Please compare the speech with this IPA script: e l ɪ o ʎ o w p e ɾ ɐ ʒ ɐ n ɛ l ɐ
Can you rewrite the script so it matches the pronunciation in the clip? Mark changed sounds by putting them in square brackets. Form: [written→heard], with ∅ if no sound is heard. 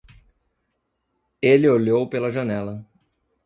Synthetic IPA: e l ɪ o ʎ o w p e [ɾ→l] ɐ ʒ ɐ n ɛ l ɐ